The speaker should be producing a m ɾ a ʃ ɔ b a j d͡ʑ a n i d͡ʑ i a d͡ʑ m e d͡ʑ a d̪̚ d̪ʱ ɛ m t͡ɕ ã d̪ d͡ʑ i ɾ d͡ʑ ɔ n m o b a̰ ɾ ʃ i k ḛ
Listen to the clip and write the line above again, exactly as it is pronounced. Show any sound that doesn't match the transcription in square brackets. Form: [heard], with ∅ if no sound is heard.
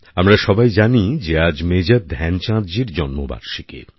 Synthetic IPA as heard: a m ɾ a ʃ ɔ b a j d͡ʑ a n i d͡ʑ [e] a d͡ʑ m e d͡ʑ a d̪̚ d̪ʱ ɛ [n] t͡ɕ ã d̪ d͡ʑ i ɾ d͡ʑ ɔ n m o b a̰ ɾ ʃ i k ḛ

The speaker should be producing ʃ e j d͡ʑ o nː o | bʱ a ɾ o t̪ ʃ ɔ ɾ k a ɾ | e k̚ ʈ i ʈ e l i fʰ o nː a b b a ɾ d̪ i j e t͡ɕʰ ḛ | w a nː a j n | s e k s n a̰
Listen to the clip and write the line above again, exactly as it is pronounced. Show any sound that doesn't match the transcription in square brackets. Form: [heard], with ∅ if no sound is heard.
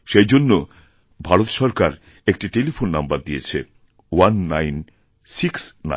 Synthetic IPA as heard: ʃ e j d͡ʑ o nː o | bʱ a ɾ o t̪ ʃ ɔ ɾ k a ɾ | e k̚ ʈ i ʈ e l i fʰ o nː a [m] b a ɾ d̪ i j e t͡ɕʰ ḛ | w a nː a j n | s [i] k s n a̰

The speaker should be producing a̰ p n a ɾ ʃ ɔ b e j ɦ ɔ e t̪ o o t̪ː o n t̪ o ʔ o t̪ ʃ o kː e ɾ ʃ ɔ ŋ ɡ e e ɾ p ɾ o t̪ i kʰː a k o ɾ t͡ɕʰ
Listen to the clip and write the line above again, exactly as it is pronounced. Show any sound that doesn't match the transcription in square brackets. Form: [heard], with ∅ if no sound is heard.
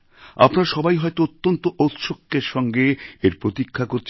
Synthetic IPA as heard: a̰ p n a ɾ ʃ ɔ b [a] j ɦ ɔ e t̪ o o t̪ː o n t̪ o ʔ o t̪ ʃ o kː e ɾ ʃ ɔ ŋ ɡ e e ɾ p ɾ o t̪ i kʰː a k o ɾ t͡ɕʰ

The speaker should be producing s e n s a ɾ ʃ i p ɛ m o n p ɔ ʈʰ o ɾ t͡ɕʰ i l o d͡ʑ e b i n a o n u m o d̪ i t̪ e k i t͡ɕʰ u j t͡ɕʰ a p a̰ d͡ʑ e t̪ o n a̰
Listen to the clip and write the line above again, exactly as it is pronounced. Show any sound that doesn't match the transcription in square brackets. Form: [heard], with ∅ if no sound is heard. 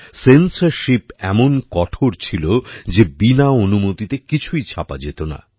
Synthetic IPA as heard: s e n s a ɾ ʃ i p ɛ m o n [k] ɔ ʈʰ o ɾ t͡ɕʰ i l o d͡ʑ e b i n a o n u m o [t̪] i t̪ e k i t͡ɕʰ u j t͡ɕʰ a p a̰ d͡ʑ e t̪ o n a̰

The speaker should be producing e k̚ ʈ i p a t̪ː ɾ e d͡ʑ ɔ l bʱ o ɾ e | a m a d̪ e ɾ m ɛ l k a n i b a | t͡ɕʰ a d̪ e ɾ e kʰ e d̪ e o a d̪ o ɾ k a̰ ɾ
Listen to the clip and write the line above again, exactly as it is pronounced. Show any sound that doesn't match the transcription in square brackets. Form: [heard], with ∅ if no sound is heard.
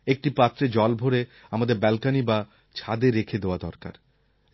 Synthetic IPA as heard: e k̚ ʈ i p a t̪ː ɾ e d͡ʑ ɔ l bʱ o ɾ e | a m a d̪ e ɾ [b] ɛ l k a n i b a | t͡ɕʰ a d̪ e ɾ e kʰ e d̪ e o a d̪ [ɔ] ɾ k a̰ ɾ

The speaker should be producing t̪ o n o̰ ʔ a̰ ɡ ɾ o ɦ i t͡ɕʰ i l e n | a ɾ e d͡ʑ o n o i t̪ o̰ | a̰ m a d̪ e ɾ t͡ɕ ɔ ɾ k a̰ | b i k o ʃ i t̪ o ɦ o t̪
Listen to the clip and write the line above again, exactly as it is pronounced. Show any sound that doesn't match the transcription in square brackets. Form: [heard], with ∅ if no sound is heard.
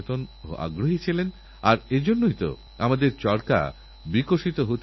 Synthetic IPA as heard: t̪ o n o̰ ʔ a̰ ɡ ɾ o ɦ i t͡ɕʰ i l e n | a ɾ e d͡ʑ o [nː] o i t̪ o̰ | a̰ m a d̪ e ɾ t͡ɕ ɔ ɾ k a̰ | b i k o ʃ i t̪ o ɦ o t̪

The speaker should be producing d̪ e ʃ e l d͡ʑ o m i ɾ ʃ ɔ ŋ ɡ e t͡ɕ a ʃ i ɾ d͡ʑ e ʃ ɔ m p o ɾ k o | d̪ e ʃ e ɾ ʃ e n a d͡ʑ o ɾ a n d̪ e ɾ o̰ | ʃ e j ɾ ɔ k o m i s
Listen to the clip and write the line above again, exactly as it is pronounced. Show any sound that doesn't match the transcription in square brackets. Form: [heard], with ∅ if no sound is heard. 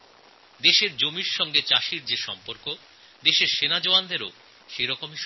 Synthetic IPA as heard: d̪ e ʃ e [ɾ] d͡ʑ o m i ɾ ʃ ɔ ŋ ɡ e t͡ɕ a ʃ i ɾ d͡ʑ e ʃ ɔ m p o ɾ k o | d̪ e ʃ e ɾ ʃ e n a d͡ʑ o [∅] a n d̪ e ɾ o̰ | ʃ e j ɾ ɔ k o m i [ʃ]

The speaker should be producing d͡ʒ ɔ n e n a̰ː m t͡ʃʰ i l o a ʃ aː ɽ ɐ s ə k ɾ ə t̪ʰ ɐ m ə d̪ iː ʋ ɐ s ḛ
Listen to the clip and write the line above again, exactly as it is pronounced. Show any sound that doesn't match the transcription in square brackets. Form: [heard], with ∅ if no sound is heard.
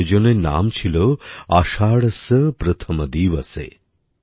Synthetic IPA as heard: d͡ʒ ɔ n e n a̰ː m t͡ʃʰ i l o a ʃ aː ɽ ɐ s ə [p] ɾ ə t̪ʰ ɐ m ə d̪ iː ʋ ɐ s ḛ

